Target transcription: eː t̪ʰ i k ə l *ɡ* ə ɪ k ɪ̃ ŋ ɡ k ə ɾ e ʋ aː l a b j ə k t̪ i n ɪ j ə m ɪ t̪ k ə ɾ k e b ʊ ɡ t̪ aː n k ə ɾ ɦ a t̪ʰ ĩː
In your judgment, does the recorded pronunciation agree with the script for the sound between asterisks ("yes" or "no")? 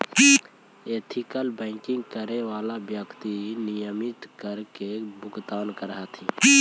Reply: no